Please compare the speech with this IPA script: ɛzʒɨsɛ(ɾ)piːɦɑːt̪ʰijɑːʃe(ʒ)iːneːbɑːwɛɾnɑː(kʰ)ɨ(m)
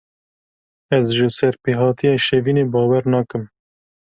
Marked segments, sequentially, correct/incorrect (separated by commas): correct, incorrect, incorrect, correct